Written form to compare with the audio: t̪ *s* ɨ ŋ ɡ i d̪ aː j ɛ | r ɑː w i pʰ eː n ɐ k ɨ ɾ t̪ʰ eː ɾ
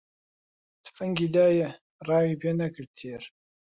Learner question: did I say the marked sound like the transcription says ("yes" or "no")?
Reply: no